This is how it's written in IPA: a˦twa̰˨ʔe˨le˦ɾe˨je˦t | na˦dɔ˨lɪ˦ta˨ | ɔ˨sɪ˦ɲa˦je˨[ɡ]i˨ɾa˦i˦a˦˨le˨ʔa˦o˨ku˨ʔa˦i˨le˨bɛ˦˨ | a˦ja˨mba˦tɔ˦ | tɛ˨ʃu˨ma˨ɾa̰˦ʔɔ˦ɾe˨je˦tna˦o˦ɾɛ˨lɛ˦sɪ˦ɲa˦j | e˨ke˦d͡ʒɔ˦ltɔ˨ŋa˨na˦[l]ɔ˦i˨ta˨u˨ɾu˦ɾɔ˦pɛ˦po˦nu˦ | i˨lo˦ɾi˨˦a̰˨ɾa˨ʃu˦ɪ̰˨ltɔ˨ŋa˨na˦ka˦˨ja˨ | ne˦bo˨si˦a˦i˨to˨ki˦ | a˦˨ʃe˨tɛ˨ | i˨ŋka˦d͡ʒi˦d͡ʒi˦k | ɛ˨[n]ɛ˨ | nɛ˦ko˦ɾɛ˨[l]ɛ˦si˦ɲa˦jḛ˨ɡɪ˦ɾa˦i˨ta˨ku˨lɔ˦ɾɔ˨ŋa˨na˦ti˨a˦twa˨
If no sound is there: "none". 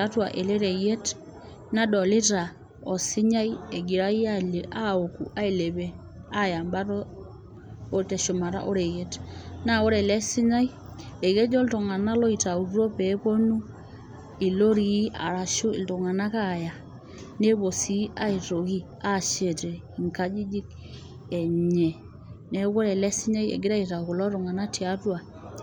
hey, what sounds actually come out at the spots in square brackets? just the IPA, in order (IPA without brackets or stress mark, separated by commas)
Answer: ɡ, l, ɲ, l